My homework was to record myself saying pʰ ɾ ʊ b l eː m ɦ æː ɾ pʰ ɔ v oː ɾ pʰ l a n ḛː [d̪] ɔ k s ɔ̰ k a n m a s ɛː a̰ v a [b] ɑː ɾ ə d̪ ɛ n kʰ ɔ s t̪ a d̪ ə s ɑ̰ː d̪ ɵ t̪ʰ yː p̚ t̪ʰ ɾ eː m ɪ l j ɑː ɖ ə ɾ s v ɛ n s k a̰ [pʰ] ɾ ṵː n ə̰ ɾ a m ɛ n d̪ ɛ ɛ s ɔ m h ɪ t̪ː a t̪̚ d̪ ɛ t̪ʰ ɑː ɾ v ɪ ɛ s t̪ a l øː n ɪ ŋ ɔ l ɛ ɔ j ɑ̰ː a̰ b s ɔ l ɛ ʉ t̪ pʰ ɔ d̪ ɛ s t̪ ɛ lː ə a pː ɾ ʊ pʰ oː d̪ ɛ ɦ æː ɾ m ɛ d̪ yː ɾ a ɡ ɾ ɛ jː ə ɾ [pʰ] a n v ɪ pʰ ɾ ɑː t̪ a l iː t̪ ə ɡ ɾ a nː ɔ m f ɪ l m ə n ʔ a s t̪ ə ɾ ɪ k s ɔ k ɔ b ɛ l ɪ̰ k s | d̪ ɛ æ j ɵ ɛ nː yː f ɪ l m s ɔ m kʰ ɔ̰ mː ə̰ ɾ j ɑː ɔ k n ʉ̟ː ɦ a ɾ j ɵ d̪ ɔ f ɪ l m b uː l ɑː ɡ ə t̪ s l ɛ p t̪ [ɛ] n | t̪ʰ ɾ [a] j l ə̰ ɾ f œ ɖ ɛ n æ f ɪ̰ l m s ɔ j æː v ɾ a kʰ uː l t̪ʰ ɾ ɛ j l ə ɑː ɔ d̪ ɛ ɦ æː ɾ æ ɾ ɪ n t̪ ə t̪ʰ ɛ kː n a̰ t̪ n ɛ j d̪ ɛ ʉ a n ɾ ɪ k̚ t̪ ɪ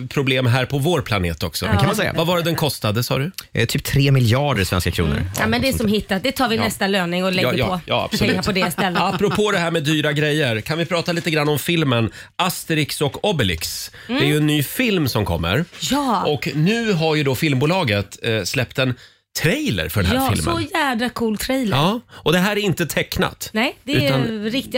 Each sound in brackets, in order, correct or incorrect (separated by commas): incorrect, incorrect, incorrect, incorrect, correct, incorrect